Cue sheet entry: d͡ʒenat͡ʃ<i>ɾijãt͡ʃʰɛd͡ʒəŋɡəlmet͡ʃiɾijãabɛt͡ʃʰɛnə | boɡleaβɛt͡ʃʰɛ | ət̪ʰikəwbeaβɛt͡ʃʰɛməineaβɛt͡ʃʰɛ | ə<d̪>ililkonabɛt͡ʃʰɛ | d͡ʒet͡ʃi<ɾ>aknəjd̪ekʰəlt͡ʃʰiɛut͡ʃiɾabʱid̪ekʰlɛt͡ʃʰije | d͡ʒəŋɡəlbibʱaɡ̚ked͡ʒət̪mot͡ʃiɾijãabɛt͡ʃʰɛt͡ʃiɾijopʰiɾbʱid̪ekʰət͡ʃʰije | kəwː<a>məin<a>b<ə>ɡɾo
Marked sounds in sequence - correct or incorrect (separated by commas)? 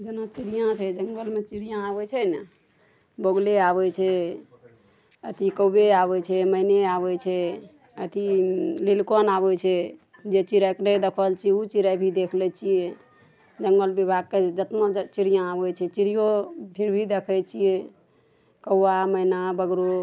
correct, incorrect, correct, correct, correct, correct